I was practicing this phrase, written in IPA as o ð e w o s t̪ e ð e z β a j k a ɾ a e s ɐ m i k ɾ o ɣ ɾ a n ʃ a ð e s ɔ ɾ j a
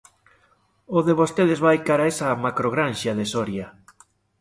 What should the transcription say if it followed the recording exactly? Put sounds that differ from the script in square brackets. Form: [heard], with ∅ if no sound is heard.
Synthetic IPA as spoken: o ð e [β] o s t̪ e ð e z β a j k a ɾ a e s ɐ m [a] k ɾ o ɣ ɾ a n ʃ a ð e s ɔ ɾ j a